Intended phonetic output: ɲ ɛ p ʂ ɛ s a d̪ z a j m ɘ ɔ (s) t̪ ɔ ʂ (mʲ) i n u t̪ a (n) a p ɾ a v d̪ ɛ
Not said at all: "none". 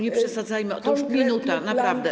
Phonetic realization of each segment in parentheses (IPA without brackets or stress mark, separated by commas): none, mʲ, n